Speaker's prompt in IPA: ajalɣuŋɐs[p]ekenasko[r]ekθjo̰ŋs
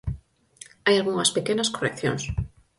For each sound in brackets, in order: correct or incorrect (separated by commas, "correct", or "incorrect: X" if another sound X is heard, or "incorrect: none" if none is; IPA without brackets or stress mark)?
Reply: correct, correct